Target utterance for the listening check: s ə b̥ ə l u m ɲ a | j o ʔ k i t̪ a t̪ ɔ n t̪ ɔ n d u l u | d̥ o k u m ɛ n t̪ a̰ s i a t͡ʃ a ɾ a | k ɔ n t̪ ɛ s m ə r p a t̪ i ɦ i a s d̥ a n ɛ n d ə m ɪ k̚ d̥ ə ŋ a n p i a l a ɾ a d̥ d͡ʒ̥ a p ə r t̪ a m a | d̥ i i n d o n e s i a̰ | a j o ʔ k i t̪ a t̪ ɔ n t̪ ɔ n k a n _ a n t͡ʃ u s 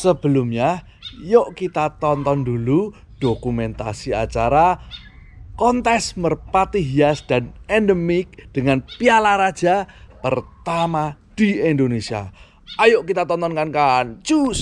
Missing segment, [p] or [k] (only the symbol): k